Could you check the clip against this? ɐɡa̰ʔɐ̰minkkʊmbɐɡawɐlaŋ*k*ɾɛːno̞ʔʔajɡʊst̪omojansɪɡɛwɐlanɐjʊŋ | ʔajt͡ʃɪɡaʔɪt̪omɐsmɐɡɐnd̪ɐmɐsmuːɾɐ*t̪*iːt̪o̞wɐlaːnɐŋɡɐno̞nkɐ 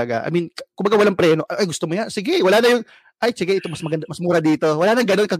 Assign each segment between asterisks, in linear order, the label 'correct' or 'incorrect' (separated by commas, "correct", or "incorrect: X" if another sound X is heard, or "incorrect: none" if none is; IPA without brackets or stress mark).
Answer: incorrect: p, incorrect: d̪